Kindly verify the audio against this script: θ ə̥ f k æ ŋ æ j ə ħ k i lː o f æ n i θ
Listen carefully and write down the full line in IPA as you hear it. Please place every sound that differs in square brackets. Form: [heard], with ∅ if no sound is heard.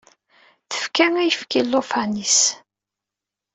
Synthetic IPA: θ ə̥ f k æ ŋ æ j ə [f] k i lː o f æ n i [s]